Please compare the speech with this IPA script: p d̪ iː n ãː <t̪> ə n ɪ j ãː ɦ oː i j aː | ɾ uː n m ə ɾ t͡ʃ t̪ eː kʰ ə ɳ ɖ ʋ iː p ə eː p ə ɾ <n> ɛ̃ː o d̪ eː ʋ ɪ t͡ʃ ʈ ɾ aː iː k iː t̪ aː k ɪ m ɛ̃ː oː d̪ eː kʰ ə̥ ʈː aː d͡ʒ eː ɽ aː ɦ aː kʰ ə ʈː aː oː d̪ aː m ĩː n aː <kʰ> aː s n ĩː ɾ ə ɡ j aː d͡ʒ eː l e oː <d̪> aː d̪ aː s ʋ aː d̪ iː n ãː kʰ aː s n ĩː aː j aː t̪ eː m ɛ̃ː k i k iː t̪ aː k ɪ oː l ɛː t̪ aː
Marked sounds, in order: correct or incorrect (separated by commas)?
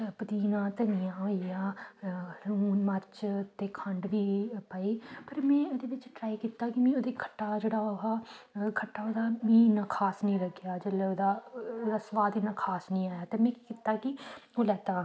correct, incorrect, correct, correct